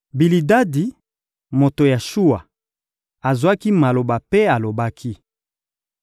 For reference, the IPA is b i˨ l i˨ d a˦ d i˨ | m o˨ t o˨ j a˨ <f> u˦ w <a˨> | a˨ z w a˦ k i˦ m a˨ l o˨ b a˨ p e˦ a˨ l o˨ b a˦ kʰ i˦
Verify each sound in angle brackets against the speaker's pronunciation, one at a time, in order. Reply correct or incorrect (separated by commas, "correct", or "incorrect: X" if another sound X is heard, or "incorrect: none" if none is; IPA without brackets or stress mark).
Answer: incorrect: ʃ, correct